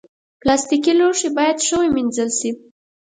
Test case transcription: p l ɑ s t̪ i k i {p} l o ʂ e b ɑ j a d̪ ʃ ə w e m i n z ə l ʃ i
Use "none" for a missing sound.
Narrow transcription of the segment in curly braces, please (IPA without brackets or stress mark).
none